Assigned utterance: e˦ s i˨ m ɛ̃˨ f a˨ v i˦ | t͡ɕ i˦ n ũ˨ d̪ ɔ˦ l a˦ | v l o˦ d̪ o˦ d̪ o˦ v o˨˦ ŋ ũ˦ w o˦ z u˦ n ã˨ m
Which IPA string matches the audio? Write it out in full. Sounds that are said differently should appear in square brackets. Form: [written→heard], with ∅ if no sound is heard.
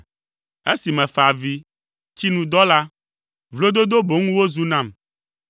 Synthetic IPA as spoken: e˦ s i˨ m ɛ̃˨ f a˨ v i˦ | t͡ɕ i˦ n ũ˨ d̪ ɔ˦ l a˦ | v l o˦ d̪ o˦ d̪ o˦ [v→b] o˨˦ ŋ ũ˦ w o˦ z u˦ n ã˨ m

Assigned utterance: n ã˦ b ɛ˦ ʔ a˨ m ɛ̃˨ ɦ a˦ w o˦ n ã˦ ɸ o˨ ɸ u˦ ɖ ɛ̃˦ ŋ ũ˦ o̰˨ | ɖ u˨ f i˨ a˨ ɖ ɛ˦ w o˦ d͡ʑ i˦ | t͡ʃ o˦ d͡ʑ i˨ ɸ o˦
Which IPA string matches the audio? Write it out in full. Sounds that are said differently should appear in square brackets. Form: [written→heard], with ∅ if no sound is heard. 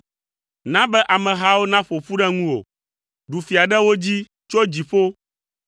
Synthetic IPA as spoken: n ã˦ b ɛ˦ ʔ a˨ m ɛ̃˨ ɦ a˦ w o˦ n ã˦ ɸ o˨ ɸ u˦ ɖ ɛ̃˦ ŋ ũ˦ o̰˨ | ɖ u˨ f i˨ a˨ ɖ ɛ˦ w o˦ d͡ʑ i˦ | t͡ʃ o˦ d͡ʑ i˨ ɸ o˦

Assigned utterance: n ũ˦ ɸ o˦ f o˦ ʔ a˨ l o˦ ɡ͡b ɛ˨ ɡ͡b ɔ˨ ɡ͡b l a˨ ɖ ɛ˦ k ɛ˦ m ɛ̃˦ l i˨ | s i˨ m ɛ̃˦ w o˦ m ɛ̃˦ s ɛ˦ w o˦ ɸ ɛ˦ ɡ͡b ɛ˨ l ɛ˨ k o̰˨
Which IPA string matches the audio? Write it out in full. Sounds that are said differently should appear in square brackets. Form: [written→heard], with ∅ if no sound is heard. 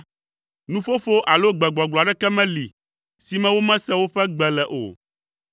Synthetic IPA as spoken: n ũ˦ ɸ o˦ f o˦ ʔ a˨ l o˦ ɡ͡b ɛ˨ ɡ͡b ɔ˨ ɡ͡b l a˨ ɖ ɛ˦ k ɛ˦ m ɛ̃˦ l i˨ | s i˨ m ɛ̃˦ w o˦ m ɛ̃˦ s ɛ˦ w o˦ ɸ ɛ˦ ɡ͡b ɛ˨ l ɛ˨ [k→ʔ] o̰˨

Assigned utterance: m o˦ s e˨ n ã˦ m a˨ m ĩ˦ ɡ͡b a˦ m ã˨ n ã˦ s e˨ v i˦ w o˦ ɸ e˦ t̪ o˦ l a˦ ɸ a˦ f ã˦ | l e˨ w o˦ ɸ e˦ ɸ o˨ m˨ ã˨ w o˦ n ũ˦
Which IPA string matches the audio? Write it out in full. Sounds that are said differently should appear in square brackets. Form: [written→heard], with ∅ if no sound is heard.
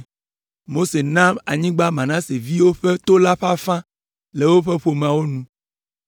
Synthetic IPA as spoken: m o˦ s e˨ n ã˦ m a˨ [m→ɲ] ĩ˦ ɡ͡b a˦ m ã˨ n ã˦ s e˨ v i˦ w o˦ ɸ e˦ t̪ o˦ l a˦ ɸ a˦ f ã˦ | l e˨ w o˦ ɸ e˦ ɸ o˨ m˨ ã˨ w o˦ n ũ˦

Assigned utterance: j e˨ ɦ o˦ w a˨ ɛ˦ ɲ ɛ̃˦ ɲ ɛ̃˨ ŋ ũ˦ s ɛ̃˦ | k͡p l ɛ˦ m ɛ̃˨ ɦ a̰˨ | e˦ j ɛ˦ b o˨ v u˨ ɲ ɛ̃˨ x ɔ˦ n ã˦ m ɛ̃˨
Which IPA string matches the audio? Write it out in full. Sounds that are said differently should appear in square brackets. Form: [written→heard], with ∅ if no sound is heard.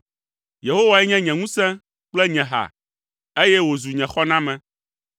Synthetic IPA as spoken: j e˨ ɦ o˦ w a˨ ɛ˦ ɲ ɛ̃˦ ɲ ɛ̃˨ ŋ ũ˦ s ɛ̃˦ | k͡p l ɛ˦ [m→ɲ] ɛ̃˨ ɦ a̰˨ | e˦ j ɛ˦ [b→w] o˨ [v→z] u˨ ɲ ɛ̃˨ x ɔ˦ n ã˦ m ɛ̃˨

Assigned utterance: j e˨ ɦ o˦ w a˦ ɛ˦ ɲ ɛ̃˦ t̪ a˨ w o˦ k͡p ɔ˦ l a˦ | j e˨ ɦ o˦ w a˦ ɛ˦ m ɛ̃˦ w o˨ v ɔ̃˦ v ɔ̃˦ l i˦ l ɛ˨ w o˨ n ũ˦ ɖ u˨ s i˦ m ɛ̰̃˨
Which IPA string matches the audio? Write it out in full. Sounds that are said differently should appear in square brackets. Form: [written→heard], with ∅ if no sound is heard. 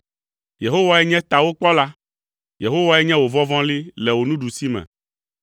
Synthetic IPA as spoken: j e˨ ɦ o˦ w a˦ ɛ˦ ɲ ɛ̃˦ t̪ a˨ w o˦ k͡p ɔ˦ l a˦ | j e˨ ɦ o˦ w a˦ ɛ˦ [m→ɲ] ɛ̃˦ w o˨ v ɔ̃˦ v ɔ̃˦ l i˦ l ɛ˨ w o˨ n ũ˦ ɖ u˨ s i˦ m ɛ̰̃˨

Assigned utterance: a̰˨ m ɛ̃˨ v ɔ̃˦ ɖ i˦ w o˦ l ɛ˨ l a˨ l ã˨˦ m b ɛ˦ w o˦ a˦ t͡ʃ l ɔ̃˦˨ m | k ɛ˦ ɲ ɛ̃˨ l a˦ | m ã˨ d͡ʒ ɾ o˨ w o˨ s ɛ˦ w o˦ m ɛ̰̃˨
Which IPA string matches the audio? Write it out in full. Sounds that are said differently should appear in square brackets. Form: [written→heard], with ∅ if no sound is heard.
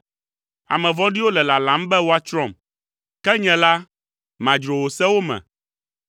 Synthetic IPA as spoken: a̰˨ m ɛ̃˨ v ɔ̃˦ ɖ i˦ w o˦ l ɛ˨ l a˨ l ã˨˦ m b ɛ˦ w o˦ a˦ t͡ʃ [l→ɾ] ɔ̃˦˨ m | k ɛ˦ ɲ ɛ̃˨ l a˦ | m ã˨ d͡ʒ ɾ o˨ w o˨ s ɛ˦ w o˦ m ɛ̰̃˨

